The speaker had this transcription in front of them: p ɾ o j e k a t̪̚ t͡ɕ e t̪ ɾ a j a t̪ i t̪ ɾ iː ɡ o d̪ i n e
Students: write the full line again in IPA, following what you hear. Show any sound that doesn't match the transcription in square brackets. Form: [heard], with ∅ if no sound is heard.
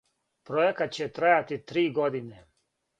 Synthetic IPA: p ɾ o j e k a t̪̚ t͡ɕ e t̪ ɾ a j a t̪ i t̪ ɾ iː ɡ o d̪ i n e